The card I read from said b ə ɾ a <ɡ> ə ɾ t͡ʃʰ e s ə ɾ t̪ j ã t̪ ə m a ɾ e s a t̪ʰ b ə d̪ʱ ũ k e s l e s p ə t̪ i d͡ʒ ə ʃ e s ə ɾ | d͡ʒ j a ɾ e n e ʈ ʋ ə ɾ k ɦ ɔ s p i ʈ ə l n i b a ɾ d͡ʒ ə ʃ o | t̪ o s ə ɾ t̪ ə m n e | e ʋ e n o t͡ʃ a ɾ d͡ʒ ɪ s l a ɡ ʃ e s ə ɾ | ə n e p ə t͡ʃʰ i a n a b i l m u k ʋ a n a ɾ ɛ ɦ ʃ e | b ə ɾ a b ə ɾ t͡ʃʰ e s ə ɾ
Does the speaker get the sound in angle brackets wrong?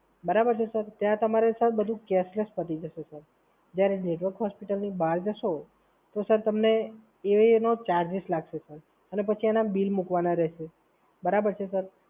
yes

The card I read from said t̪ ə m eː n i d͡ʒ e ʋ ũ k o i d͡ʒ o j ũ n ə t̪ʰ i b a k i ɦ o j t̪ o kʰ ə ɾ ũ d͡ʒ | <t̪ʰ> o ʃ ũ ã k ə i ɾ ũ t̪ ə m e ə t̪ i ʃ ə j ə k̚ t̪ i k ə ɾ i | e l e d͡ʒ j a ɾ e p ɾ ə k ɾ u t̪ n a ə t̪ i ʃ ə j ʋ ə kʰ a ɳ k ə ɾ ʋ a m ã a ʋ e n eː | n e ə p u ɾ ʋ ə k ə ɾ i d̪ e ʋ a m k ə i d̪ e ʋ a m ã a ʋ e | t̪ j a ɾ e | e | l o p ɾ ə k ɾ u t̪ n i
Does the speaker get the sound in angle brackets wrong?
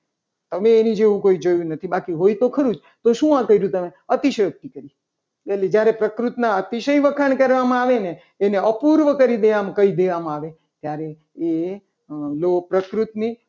yes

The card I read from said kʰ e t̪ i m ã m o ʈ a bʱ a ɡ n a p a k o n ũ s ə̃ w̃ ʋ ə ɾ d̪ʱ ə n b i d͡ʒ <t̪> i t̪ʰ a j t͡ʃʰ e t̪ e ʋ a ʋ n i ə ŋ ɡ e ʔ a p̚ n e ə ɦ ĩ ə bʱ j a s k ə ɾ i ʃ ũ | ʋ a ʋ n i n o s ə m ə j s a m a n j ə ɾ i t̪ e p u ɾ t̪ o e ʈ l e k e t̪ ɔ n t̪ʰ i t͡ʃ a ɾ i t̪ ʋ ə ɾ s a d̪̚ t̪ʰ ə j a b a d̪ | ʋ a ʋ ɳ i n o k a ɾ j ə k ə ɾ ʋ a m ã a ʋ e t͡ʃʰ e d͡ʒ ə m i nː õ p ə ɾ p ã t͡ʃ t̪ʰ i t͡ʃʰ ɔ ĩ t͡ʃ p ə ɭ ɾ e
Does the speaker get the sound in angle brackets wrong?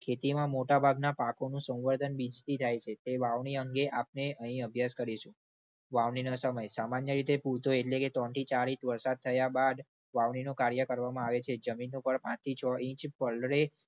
no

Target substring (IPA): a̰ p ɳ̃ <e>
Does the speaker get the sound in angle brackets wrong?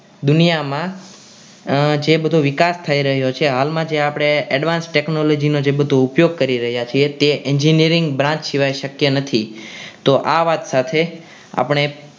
no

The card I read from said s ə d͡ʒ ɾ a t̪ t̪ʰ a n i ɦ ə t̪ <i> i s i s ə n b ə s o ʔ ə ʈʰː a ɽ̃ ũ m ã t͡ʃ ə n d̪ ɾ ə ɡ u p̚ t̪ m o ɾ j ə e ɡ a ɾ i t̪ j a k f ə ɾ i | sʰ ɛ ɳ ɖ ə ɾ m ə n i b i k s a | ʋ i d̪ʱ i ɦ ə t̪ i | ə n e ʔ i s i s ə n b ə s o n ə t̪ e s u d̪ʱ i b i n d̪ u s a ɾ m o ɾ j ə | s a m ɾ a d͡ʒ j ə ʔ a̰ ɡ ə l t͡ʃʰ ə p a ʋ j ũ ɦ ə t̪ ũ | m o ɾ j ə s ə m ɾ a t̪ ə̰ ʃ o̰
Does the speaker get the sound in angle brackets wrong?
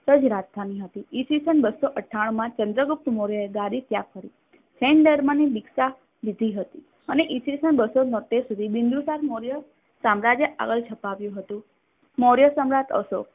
no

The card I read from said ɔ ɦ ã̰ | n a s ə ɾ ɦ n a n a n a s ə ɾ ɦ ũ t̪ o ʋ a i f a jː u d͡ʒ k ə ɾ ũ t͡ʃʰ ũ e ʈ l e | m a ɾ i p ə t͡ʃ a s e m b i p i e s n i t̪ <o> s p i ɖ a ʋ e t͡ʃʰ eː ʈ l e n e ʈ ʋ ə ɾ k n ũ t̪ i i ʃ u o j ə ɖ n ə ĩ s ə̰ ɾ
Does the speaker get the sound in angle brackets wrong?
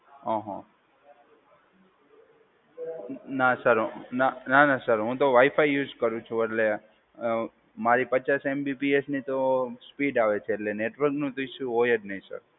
no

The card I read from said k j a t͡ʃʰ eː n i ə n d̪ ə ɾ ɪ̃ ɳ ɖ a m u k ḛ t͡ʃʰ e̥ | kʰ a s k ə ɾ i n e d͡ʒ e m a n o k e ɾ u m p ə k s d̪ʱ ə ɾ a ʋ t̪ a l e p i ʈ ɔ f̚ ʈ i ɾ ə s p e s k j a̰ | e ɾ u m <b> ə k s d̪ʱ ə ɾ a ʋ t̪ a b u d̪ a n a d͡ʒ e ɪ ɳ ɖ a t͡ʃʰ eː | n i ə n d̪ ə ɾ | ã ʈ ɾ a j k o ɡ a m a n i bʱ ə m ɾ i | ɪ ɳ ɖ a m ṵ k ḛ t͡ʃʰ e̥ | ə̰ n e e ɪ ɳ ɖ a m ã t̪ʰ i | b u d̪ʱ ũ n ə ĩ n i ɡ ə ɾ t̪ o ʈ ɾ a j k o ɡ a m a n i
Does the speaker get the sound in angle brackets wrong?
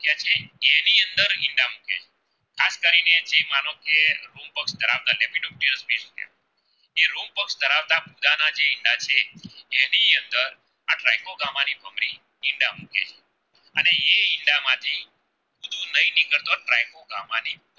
yes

